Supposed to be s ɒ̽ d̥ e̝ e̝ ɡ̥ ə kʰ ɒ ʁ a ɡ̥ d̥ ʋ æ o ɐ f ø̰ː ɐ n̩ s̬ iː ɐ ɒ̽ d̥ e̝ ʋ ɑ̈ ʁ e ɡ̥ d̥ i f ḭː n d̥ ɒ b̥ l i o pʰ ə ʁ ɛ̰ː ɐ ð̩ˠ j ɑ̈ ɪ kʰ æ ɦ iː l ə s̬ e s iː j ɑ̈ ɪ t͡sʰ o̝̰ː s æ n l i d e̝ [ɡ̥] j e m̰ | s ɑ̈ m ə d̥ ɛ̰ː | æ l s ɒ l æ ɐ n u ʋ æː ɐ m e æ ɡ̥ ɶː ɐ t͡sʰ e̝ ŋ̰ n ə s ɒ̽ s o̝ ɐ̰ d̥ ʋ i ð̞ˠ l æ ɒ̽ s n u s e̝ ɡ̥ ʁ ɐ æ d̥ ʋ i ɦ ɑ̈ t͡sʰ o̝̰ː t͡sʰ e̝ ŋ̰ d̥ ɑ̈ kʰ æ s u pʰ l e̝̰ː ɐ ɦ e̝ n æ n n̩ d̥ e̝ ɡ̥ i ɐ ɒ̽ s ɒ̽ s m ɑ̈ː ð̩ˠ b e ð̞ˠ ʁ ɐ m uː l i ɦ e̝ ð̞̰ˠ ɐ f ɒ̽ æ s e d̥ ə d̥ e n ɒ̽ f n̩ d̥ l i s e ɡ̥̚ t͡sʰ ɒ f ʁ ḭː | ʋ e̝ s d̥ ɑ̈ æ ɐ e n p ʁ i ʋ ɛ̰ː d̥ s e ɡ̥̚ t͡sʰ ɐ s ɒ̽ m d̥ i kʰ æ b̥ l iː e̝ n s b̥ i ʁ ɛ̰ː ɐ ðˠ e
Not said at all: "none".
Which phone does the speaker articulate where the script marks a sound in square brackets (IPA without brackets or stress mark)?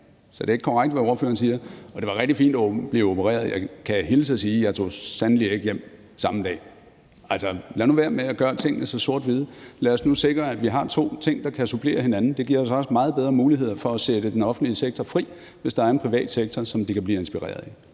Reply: ɡ̥